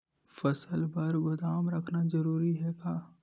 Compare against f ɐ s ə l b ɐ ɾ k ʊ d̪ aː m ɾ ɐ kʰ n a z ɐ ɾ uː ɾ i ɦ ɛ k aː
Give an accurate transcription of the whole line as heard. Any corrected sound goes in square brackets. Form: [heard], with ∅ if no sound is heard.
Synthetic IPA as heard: f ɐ s ə l b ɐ ɾ [ɡ] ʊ d̪ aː m ɾ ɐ kʰ n a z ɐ ɾ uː ɾ i ɦ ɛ k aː